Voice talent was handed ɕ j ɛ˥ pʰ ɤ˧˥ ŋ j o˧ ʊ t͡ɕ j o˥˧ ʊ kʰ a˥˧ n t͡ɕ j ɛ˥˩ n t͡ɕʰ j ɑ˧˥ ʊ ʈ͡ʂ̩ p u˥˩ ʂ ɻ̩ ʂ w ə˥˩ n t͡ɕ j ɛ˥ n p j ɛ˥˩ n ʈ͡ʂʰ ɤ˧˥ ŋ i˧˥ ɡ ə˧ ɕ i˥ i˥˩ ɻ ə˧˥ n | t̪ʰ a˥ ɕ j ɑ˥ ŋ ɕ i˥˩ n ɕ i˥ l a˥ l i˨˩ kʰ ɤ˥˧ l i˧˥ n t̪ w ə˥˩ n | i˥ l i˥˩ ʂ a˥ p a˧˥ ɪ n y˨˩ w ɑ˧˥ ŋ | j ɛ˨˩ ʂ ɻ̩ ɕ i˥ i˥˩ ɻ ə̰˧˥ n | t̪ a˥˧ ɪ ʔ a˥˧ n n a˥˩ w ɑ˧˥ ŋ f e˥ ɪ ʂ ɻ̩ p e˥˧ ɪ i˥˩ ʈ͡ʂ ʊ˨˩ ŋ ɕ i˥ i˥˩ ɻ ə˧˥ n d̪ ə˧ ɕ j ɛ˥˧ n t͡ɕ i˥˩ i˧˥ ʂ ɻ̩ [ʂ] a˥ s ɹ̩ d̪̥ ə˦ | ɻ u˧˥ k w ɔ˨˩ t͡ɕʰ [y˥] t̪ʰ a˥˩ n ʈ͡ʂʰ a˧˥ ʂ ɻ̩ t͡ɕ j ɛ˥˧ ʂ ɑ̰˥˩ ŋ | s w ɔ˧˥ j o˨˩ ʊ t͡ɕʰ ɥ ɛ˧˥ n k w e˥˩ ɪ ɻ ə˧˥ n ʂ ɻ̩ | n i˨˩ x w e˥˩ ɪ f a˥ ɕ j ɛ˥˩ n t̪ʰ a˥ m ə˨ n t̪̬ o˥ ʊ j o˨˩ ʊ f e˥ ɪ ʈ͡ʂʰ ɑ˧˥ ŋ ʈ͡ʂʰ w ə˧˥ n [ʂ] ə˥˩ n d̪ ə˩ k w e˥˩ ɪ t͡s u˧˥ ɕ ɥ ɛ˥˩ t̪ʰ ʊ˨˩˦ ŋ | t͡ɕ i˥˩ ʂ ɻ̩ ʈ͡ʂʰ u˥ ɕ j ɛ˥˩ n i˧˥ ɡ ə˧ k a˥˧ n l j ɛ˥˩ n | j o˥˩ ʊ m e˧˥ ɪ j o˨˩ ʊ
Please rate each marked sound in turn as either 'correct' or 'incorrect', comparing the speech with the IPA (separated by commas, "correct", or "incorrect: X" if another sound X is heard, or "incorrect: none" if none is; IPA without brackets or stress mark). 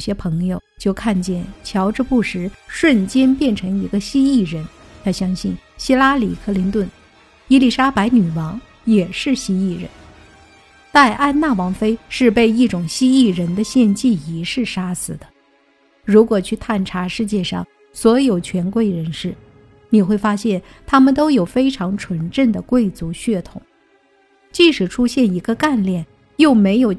correct, incorrect: y˥˧, incorrect: ʈ͡ʂ